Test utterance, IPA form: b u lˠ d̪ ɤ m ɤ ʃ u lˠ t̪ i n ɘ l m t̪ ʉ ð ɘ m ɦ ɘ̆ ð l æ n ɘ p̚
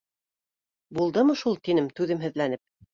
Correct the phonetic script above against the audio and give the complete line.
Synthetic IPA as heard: b u lˠ d̪ ɤ m ɤ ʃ u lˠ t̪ i n ɘ m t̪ ʉ ð ɘ m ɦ ɘ̆ ð l æ n ɘ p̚